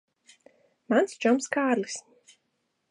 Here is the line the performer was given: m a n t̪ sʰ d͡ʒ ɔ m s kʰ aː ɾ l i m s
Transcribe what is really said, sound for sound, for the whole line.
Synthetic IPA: m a n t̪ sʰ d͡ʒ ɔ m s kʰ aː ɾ l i s